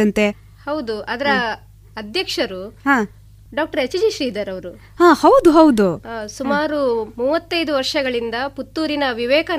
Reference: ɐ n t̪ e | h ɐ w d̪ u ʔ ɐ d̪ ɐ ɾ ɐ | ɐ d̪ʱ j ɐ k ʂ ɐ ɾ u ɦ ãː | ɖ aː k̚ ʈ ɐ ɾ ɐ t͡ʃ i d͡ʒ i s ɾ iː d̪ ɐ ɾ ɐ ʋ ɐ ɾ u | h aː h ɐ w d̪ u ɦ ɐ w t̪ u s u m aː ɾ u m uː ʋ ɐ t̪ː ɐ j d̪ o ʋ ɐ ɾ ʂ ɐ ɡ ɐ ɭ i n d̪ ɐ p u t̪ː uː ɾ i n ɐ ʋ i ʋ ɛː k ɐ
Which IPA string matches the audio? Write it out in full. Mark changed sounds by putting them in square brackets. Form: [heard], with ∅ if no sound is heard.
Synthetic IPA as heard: ɐ n t̪ e | h ɐ w d̪ u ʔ ɐ d̪ ɐ ɾ ɐ | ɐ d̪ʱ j ɐ k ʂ ɐ ɾ u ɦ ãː | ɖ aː k̚ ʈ ɐ ɾ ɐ t͡ʃ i d͡ʒ i [ʃ] ɾ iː d̪ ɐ ɾ ɐ ʋ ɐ ɾ u | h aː h ɐ w d̪ u ɦ ɐ w [d̪] u s u m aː ɾ u m uː ʋ ɐ t̪ː ɐ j d̪ [u] ʋ ɐ ɾ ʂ ɐ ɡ ɐ ɭ i n d̪ ɐ p u t̪ː uː ɾ i n ɐ ʋ i ʋ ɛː k ɐ